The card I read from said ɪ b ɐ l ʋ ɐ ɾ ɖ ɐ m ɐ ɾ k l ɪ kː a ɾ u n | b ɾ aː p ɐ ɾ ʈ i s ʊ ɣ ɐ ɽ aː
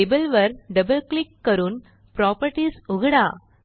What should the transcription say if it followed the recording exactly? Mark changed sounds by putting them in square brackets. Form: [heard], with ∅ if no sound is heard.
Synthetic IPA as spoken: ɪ b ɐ l ʋ ɐ ɾ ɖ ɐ [b] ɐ [l] k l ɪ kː [ɐ] ɾ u n | [p] ɾ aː p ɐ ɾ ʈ i s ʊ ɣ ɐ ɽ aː